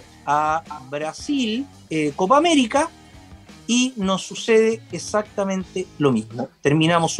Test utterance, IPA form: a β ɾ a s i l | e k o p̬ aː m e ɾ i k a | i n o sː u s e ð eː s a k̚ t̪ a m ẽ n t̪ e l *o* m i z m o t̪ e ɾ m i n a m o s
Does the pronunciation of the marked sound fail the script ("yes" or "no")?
no